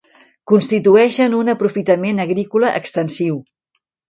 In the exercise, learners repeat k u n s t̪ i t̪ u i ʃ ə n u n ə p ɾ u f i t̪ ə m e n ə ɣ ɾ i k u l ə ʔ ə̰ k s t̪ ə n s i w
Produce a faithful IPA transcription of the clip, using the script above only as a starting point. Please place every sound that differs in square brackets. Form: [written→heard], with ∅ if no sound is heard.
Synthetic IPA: k u n s t̪ i t̪ u [i→ɛ] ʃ ə n u n ə p ɾ u f i t̪ ə m e n ə ɣ ɾ i k u l ə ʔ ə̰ k s t̪ ə n s i w

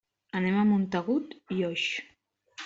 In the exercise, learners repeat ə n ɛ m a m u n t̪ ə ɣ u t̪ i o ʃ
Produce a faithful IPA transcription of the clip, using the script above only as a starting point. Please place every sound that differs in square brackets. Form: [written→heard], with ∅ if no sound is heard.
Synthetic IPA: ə n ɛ m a m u n t̪ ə ɣ u t̪ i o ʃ

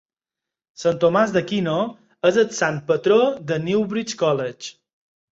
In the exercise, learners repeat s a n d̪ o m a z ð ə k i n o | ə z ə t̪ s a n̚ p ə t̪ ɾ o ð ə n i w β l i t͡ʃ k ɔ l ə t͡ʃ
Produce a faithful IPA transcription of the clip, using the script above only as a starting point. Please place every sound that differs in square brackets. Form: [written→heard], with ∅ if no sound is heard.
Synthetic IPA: s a n [d̪→t̪] o m a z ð ə k i n o | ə z ə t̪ s a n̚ p ə t̪ ɾ o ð ə n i w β [l→ɾ] i t͡ʃ k ɔ l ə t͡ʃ

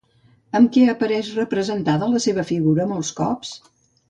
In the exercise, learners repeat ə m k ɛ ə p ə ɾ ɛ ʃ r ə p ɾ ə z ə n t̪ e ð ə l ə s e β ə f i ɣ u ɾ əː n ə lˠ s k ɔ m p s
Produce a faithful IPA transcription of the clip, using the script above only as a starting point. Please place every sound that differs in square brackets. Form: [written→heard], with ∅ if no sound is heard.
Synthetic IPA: ə m k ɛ ə p ə ɾ ɛ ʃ r ə p ɾ ə z ə n t̪ [e→a] ð ə l ə s e β ə f i ɣ u ɾ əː [n→m] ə lˠ s k ɔ [m→∅] p s

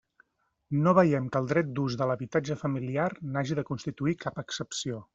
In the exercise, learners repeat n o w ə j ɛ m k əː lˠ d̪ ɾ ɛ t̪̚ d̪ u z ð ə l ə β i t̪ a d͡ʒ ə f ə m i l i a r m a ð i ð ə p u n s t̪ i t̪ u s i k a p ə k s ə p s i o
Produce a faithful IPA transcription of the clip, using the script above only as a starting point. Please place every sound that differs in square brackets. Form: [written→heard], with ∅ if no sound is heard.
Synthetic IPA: n o [w→β] ə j ɛ m k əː lˠ d̪ ɾ ɛ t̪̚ d̪ u z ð ə l ə β i t̪ a d͡ʒ ə f ə m i l i a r [m→n] a [ð→ʒ] i ð ə [p→k] u n s t̪ i t̪ u [s→∅] i k a p ə k s ə p s i o

